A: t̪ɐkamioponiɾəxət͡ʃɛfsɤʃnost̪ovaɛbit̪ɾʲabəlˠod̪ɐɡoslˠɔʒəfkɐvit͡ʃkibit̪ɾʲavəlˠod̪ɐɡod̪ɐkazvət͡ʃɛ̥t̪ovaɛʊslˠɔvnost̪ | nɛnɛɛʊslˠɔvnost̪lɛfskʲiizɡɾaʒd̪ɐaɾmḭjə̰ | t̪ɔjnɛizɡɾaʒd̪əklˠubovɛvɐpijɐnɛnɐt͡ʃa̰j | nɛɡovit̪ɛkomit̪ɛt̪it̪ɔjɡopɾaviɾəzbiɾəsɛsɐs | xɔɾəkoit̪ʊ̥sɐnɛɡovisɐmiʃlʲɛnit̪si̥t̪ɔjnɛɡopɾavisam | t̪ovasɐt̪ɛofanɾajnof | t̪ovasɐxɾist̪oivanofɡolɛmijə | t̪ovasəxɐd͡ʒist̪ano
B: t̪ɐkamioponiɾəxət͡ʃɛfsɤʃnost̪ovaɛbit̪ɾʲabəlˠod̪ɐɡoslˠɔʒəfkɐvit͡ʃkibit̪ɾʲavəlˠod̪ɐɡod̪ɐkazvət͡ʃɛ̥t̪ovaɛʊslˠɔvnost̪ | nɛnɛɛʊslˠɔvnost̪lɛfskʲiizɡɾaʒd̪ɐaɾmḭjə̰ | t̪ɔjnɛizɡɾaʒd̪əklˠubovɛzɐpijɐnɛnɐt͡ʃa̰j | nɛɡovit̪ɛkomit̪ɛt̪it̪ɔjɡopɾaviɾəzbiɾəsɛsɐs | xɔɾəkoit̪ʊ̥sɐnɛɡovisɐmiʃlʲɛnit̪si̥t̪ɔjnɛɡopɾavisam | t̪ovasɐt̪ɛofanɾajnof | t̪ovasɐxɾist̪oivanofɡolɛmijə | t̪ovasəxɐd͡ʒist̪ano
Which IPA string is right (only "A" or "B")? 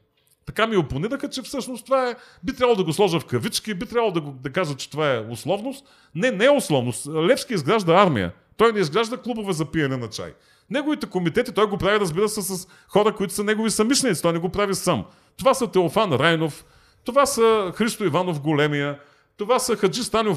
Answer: B